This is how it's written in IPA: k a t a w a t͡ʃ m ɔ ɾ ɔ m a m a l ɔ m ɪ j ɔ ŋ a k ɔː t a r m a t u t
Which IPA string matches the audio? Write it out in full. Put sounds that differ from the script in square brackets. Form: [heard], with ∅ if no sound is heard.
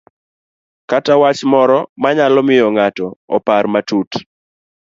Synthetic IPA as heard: k a t a w a t͡ʃ m ɔ ɾ ɔ m a [ɲ] a l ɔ m ɪ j ɔ ŋ a [t] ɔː [p] a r m a t u t